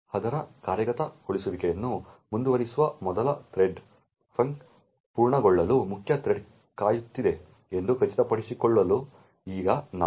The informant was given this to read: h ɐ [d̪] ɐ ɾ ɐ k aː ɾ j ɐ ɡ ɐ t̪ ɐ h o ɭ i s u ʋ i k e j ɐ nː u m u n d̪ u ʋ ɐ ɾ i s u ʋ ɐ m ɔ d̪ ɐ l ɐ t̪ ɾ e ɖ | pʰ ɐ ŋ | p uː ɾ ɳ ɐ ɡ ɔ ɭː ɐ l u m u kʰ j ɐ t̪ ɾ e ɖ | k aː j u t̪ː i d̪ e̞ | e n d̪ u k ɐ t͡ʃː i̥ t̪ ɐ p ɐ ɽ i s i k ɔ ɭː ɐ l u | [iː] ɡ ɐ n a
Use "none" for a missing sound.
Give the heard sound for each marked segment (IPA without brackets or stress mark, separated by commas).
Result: d̪, iː